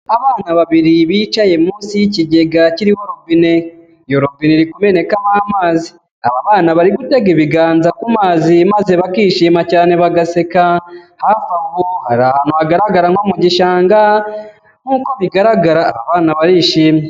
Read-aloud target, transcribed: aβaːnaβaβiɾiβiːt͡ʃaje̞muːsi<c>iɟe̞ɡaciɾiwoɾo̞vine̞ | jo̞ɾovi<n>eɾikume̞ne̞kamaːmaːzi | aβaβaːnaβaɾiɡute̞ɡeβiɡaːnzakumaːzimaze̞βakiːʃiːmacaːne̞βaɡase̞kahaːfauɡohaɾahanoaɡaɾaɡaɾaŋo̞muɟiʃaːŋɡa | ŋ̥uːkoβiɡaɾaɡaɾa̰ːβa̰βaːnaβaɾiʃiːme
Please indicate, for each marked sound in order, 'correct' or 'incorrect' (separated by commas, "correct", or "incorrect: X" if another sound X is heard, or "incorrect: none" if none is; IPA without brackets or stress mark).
correct, correct